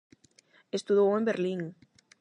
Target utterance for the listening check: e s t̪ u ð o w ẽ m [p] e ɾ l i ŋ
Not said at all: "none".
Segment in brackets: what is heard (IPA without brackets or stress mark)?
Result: b